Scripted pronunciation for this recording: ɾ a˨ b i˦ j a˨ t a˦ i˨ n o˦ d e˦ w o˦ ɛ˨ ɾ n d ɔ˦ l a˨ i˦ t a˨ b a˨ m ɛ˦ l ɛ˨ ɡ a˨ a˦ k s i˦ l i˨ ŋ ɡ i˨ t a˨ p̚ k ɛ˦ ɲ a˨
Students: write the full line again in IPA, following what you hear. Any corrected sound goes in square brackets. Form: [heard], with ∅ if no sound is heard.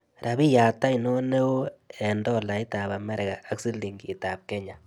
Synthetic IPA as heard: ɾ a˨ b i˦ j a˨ t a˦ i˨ n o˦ [n] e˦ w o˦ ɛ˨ [∅] n d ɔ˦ l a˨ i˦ t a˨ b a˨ m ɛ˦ [ɾ] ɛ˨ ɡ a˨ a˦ k s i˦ l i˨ ŋ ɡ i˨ t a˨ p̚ k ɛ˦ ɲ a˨